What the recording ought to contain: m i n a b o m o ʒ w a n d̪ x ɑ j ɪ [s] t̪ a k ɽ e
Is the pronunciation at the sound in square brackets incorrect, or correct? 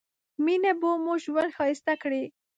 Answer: correct